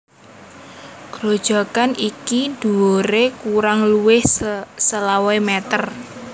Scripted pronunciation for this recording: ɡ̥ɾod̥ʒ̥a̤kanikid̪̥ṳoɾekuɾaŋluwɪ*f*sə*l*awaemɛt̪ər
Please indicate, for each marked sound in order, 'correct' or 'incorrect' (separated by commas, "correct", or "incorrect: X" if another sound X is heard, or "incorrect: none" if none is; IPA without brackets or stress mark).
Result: incorrect: h, correct